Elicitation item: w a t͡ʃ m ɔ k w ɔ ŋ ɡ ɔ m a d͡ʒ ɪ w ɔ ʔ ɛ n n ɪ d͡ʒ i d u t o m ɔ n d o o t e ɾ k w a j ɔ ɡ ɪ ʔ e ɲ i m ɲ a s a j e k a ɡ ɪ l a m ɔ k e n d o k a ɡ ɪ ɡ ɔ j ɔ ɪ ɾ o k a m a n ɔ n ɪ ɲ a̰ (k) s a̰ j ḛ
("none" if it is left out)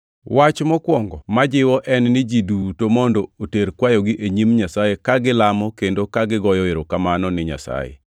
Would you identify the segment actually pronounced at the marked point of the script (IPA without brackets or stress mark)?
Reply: none